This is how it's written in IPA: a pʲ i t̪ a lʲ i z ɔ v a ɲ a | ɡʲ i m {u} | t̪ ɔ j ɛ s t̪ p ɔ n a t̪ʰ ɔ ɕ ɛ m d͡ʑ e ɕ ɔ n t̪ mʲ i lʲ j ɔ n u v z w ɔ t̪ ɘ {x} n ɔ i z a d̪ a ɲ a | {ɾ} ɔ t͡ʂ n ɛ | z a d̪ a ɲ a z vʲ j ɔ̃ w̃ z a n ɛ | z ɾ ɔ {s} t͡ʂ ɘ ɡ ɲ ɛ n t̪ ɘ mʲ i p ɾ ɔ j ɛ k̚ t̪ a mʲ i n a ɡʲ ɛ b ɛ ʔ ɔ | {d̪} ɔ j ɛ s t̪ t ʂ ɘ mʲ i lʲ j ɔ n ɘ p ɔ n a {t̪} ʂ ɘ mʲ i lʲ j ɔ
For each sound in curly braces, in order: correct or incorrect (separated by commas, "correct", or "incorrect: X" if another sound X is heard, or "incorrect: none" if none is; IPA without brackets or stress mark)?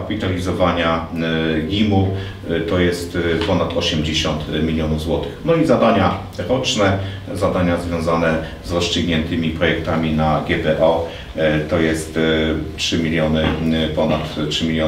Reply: correct, correct, correct, correct, incorrect: t̪, correct